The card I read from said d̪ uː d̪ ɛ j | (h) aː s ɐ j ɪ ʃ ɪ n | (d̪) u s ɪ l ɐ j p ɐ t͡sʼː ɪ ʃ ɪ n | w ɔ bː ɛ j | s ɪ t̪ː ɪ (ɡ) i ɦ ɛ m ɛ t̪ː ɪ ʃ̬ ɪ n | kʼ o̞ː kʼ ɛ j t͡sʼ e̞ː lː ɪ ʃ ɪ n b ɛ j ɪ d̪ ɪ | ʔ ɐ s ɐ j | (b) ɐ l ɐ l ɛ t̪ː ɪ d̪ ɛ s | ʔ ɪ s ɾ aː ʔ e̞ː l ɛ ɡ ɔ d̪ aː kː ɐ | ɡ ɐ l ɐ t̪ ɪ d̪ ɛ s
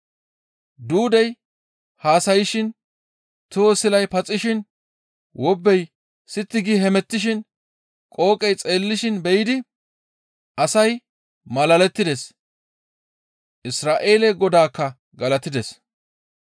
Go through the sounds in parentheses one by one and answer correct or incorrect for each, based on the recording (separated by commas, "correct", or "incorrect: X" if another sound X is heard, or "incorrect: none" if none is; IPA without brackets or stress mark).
correct, incorrect: t̪, correct, incorrect: m